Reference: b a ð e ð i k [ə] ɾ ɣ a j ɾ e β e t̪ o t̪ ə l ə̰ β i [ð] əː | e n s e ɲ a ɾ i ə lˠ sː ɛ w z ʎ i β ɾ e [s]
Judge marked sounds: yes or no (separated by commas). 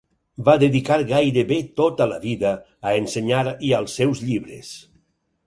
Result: no, yes, yes